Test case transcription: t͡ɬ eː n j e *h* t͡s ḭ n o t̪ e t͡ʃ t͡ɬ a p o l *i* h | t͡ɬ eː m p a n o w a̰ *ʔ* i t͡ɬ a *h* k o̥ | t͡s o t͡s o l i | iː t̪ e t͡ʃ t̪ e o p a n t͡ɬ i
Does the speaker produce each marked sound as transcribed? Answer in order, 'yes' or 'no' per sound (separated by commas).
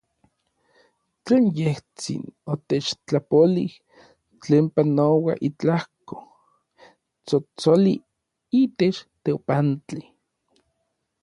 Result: yes, yes, yes, yes